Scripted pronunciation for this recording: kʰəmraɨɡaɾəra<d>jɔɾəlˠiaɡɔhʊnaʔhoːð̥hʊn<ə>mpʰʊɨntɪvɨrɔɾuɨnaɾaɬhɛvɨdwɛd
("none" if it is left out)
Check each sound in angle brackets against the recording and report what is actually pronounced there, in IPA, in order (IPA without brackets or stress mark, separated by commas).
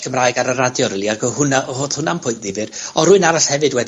d, a